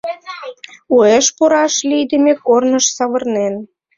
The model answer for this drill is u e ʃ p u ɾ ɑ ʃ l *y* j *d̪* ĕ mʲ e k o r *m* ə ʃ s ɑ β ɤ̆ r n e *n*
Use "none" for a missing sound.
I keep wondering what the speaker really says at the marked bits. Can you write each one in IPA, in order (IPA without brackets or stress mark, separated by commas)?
i, d̪, n, n